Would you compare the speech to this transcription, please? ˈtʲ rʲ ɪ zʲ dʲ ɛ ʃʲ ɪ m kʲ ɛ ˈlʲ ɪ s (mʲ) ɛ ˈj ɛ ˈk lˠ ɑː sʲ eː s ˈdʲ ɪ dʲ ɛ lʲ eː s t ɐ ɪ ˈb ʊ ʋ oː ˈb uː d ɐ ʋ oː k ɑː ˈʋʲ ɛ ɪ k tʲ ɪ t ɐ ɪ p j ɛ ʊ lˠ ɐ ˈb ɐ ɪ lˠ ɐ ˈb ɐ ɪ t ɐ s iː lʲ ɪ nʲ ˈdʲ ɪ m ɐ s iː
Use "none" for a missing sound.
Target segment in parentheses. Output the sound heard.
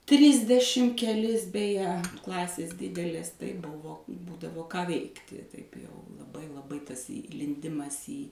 bʲ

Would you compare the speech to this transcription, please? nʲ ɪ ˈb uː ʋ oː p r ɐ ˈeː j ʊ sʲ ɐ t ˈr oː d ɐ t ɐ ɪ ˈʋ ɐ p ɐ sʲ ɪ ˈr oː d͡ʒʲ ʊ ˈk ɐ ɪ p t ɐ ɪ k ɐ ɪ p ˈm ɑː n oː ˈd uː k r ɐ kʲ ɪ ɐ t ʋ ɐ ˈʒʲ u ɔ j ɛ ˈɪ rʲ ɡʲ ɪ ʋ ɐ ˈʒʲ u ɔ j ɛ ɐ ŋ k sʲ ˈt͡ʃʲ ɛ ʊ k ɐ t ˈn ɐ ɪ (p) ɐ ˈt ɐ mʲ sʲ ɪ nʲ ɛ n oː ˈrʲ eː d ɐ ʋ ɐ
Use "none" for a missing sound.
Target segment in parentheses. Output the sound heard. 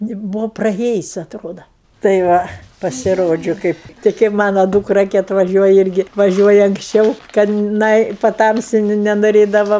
p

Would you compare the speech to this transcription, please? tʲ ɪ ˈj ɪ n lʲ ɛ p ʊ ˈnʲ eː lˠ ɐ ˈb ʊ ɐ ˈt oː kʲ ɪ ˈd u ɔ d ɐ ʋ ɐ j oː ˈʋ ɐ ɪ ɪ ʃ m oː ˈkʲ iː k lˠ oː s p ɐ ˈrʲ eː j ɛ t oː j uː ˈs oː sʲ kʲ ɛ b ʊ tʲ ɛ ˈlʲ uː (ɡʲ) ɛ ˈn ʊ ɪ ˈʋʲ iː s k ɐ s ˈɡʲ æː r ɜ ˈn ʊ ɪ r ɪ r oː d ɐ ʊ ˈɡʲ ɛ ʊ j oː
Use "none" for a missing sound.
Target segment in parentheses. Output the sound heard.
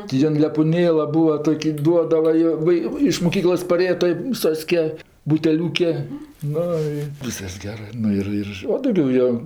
kʲ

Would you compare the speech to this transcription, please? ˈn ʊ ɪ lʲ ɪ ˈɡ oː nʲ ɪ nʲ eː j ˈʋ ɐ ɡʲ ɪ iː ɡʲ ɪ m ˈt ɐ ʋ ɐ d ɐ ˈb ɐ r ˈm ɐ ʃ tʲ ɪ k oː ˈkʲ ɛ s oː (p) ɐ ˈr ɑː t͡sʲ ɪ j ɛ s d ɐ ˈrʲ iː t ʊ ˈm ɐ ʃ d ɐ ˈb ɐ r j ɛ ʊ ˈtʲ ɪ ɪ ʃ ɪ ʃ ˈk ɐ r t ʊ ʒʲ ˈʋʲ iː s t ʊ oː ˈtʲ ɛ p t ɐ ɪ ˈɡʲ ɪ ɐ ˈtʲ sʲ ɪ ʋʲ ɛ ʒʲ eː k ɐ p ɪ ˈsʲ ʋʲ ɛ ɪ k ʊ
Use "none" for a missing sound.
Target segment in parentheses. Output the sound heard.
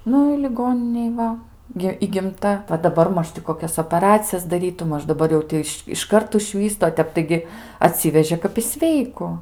p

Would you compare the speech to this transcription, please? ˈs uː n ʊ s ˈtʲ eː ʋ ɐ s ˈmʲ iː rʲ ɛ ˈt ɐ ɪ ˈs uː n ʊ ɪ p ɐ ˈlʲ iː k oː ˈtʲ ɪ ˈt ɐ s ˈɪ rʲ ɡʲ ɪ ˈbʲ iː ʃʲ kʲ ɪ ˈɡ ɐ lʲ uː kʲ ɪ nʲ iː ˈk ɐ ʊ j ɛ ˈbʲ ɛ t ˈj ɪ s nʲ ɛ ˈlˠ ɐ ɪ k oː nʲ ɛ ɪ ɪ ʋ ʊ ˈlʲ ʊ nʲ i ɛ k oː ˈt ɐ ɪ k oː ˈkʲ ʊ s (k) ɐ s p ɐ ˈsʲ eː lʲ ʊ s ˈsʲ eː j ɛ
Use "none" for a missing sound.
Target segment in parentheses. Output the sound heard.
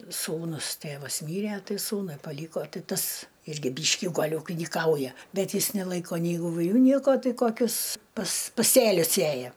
p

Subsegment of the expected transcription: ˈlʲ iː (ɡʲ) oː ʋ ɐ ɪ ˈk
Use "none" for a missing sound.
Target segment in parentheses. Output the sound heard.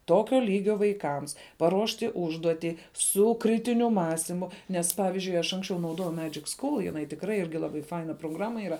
ɡʲ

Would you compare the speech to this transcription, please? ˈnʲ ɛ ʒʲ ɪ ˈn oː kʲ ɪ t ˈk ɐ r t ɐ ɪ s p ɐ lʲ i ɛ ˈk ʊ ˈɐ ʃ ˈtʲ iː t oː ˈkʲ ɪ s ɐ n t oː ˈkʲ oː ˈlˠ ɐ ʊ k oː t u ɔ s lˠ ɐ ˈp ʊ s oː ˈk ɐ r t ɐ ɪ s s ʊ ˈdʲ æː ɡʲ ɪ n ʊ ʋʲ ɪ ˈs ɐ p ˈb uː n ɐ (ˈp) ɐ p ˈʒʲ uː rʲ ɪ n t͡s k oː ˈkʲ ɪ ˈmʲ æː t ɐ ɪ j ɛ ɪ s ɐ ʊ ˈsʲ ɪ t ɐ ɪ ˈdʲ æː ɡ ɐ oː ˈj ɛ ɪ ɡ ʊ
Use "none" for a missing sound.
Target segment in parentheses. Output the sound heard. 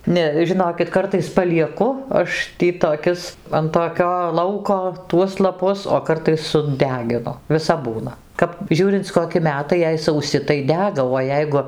k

